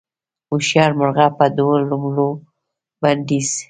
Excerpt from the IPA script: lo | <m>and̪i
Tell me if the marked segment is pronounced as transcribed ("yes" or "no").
no